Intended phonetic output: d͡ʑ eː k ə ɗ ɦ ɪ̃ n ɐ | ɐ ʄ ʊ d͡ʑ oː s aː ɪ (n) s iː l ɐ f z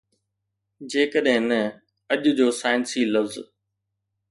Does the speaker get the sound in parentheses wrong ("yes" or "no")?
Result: no